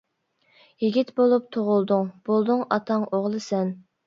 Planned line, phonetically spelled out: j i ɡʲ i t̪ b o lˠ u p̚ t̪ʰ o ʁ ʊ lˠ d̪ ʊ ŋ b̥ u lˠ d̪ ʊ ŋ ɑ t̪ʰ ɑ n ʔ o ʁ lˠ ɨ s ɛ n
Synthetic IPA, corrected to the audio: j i ɡʲ i t̪ b o lˠ u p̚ t̪ʰ o ʁ ʊ lˠ d̪ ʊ ŋ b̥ o lˠ d̪ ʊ ŋ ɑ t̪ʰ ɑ ŋ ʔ o ʁ lˠ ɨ s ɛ n